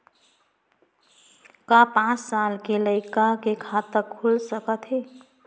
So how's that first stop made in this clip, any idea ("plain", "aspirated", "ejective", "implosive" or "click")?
plain